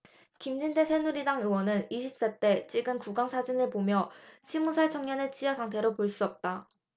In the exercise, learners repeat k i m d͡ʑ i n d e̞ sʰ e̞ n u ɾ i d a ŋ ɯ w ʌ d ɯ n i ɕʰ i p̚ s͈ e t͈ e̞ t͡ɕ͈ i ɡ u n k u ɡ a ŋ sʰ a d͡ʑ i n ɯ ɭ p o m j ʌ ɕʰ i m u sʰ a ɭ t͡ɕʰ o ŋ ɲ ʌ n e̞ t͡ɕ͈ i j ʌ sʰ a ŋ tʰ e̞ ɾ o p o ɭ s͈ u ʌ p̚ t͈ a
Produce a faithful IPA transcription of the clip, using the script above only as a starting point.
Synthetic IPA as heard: k i m d͡ʑ i n d e̞ sʰ e̞ n u ɾ i d a ŋ ɯ w ʌ n ɯ n i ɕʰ i p̚ s͈ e t͈ e̞ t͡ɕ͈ i ɡ ɯ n k u ɡ a ŋ sʰ a d͡ʑ i n ɯ ɭ p o m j ʌ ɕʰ i m u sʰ a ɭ t͡ɕʰ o ŋ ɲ ʌ n e̞ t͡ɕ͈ i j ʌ sʰ a ŋ tʰ e̞ ɾ o p o ɭ s͈ u ʌ p̚ t͈ a